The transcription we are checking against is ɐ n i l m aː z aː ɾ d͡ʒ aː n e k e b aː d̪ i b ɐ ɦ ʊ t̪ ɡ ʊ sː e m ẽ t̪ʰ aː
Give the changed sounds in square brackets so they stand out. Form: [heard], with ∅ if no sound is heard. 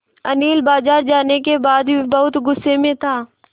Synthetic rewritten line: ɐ n [iː] l [b] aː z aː ɾ d͡ʒ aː n e k e b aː d̪ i b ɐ ɦ ʊ t̪ ɡ ʊ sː e m ẽ t̪ʰ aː